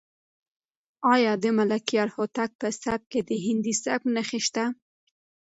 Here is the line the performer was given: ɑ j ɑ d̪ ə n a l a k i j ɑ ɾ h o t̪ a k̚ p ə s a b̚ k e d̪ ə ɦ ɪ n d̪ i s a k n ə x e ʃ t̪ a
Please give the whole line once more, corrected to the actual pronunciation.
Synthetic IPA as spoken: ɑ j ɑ d̪ ə m a l a k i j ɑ ɾ h o t̪ a k̚ p ə s a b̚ k e d̪ ə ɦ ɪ n d̪ i s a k n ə x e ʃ t̪ a